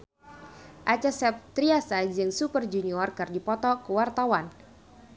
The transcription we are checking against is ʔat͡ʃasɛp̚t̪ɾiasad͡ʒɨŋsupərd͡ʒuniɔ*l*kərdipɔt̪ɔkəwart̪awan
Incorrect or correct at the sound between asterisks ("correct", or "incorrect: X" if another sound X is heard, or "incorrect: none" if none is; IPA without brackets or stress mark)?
incorrect: r